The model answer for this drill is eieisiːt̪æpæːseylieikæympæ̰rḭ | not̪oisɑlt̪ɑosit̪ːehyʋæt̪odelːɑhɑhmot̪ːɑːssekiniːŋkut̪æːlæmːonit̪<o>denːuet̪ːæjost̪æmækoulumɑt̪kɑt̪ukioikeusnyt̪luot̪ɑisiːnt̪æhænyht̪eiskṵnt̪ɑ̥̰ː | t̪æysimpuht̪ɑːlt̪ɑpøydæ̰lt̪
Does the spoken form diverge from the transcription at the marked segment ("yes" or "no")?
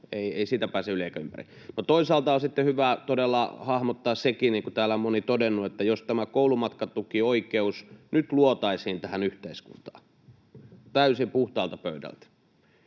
no